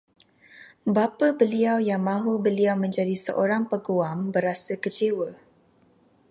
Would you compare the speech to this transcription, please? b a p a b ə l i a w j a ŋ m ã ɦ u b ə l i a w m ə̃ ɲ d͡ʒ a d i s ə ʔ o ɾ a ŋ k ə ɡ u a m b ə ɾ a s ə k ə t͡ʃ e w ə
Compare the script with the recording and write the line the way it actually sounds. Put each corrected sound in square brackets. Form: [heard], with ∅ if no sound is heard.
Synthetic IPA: b a p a b ə l i a w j a ŋ m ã ɦ u b ə l i a w m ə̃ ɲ d͡ʒ a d i s ə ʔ o ɾ a ŋ [p] ə ɡ u a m b ə ɾ a s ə k ə t͡ʃ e w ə